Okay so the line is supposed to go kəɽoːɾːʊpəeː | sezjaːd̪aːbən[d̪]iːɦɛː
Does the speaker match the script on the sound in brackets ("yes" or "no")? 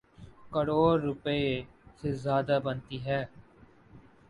no